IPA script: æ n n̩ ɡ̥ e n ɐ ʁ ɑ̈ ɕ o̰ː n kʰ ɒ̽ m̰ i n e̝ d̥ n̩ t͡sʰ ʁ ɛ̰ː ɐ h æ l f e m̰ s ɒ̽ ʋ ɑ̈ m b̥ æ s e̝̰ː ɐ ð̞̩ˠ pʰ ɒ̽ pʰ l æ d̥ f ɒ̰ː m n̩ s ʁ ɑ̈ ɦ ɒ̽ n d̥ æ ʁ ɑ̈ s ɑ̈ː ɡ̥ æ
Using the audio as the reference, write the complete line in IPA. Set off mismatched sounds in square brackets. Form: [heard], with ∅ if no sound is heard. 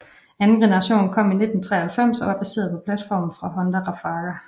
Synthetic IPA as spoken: æ n n̩ ɡ̥ e n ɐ ʁ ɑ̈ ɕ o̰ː n kʰ ɒ̽ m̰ i n e̝ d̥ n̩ t͡sʰ ʁ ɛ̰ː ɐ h æ l f e m̰ s ɒ̽ ʋ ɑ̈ [∅] b̥ æ s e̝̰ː ɐ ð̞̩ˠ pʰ ɒ̽ pʰ l æ d̥ f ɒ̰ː m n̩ [f] ʁ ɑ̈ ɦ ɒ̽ n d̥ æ ʁ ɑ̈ [f] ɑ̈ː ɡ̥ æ